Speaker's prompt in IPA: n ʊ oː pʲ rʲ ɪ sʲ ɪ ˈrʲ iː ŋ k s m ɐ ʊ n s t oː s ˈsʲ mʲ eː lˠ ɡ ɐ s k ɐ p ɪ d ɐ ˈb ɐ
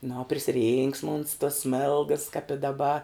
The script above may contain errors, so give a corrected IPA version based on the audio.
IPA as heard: n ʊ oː pʲ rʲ ɪ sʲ ɪ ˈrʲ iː ŋ k s m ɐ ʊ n s t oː s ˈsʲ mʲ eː lˠ ɡ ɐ s k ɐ p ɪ d ɐ ˈb ɐ